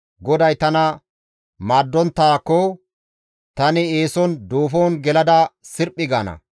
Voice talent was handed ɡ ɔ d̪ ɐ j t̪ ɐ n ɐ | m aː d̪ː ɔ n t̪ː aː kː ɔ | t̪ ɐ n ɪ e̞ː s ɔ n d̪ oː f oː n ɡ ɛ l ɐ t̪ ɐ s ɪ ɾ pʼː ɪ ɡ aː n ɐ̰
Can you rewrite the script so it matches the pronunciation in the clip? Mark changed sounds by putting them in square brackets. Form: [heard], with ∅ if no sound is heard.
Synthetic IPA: ɡ ɔ d̪ ɐ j t̪ ɐ n ɐ | m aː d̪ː ɔ n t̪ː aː kː ɔ | t̪ ɐ n ɪ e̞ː s ɔ n d̪ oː f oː n ɡ ɛ l ɐ [d̪] ɐ s ɪ ɾ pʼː ɪ ɡ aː n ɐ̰